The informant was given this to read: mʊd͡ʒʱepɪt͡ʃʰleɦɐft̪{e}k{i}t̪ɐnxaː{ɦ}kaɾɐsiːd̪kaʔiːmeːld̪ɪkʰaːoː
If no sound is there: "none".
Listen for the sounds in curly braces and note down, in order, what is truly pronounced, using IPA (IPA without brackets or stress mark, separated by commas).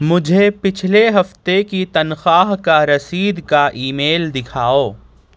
e, i, ɦ